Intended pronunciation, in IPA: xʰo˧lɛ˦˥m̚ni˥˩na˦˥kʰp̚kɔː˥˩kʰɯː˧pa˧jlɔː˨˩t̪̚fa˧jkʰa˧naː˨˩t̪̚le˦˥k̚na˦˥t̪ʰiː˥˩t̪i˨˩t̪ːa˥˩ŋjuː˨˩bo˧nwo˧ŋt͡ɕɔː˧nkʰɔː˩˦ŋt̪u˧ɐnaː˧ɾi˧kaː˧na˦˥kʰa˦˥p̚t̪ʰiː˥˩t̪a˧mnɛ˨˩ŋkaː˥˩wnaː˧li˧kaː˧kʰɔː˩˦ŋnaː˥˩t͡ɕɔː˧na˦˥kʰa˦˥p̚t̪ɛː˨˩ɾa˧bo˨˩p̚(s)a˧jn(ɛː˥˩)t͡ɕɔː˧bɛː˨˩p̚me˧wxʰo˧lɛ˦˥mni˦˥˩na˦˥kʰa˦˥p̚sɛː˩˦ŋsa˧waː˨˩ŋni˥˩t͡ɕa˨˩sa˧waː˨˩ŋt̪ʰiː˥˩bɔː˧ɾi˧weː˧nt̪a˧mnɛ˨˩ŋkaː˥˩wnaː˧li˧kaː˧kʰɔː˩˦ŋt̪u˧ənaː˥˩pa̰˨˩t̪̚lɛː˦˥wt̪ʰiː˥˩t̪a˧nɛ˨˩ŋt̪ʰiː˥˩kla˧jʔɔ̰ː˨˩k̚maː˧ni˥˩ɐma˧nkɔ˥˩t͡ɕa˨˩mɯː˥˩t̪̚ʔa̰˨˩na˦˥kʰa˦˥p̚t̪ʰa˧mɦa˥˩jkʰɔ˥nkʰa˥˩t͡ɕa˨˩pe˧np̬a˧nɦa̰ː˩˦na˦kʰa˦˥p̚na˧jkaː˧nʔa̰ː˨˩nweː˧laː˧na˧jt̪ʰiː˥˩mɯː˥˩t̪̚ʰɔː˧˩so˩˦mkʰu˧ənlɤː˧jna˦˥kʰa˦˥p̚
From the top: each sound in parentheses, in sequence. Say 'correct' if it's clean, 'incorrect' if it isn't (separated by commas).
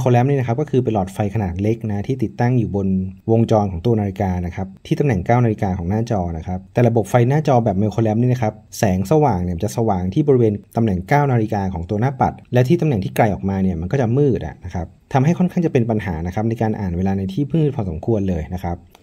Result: incorrect, incorrect